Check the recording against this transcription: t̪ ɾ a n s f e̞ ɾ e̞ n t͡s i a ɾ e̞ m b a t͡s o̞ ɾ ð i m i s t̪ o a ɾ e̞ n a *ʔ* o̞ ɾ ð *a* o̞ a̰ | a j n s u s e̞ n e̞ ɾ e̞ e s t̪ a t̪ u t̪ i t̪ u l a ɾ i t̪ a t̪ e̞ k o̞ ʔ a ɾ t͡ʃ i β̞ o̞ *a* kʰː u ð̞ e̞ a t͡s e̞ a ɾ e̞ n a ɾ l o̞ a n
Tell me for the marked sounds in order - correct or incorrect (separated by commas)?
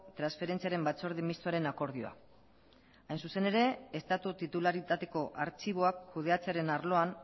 incorrect, incorrect, correct